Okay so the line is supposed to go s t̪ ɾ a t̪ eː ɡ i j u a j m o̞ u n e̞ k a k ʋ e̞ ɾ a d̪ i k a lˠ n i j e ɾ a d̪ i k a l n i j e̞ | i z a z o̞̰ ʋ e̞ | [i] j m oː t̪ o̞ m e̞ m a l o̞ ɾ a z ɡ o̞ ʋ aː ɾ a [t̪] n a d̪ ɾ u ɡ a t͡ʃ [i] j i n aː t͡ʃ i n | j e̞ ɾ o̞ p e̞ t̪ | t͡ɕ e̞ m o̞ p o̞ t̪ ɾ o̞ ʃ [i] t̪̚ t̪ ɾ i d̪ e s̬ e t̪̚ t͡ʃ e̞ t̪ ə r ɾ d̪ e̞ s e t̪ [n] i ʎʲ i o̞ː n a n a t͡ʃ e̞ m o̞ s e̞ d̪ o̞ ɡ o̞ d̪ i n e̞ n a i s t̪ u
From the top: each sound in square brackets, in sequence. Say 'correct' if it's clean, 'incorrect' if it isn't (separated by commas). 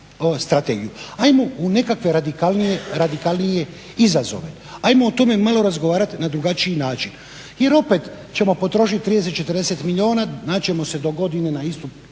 incorrect, correct, correct, correct, incorrect